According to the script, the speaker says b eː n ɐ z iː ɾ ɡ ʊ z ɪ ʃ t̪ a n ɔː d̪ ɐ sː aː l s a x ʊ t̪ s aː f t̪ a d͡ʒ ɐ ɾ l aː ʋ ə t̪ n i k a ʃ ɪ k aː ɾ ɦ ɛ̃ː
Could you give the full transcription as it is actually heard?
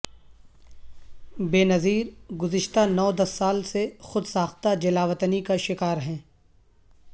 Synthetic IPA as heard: b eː n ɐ z iː ɾ ɡ ʊ z ɪ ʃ t̪ a n ɔː d̪ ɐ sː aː l s e x ʊ d̪ s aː x t̪ a d͡ʒ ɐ l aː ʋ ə t̪ n i k a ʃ ɪ k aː ɾ ɦ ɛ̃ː